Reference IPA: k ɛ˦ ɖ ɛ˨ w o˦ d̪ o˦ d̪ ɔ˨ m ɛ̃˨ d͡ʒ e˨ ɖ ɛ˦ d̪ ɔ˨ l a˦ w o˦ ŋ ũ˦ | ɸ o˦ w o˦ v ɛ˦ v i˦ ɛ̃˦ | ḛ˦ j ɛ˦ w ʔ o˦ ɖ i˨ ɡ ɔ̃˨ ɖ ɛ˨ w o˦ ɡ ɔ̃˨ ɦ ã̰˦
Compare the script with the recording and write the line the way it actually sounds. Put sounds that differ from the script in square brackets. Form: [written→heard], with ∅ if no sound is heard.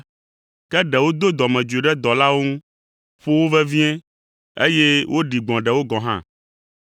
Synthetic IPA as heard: k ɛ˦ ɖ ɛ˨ w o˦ d̪ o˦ d̪ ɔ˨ m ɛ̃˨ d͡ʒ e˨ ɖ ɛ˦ d̪ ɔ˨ l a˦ w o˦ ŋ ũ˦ | ɸ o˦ w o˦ v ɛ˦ v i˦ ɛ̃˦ | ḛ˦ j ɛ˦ w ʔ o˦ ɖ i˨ [ɡ→ɡ͡b] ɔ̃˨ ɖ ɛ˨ w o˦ ɡ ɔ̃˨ ɦ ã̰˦